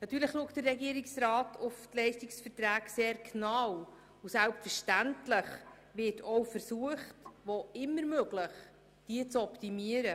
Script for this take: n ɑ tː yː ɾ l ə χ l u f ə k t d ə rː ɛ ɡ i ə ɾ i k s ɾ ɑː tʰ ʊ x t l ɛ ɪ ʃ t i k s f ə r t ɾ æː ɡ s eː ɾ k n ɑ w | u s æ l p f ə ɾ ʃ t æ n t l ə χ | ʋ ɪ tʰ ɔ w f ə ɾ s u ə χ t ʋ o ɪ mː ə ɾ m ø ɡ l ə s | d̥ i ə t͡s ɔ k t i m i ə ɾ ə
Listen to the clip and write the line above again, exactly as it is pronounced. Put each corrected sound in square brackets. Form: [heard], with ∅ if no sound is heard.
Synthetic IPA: n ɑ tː yː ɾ l ə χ l u [∅] ə k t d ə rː ɛ ɡ i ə ɾ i k s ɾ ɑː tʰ ʊ [f] t l ɛ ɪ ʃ t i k s f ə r t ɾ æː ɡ s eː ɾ k n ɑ w | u s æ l p f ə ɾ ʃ t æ n t l ə χ | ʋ ɪ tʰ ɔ w f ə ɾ s u ə χ t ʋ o ɪ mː ə ɾ m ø ɡ l ə [χ] | d̥ i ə t͡s ɔ [p] t i m i ə ɾ ə